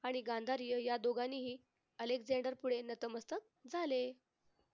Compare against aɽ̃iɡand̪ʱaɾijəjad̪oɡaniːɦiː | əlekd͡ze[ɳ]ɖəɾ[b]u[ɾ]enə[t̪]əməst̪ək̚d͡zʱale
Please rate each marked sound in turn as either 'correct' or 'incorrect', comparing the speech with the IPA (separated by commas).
correct, incorrect, incorrect, correct